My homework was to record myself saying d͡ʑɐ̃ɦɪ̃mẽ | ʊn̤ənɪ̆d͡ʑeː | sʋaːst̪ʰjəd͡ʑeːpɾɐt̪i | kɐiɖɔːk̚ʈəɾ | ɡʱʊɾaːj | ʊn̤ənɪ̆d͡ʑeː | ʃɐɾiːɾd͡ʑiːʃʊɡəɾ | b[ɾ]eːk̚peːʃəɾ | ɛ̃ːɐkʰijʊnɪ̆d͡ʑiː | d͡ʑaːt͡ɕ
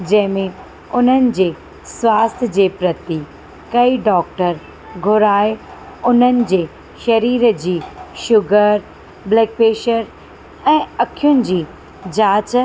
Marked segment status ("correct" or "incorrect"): incorrect